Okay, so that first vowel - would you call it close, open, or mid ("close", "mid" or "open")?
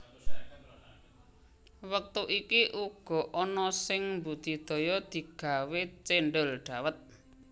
mid